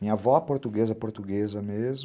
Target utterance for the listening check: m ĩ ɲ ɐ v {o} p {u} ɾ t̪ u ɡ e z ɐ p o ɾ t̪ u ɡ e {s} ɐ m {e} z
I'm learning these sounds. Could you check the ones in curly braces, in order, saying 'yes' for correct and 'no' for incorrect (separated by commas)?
no, no, no, yes